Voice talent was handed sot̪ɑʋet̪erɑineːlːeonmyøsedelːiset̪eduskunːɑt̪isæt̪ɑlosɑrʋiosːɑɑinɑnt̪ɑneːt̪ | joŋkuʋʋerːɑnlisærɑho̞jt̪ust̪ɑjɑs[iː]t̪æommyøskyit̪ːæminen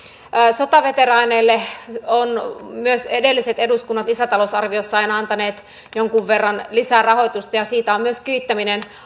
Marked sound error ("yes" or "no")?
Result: no